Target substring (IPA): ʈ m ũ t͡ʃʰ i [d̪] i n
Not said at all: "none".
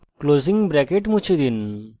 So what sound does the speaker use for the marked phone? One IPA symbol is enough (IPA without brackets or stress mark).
d̪